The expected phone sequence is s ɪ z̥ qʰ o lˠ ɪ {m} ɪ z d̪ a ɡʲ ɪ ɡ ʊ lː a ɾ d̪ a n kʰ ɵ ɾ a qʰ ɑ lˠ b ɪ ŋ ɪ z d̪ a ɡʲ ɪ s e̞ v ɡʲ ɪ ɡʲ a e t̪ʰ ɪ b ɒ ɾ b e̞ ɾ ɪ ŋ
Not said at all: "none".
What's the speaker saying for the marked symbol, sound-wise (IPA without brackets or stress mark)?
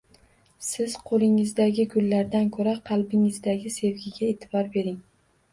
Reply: ŋ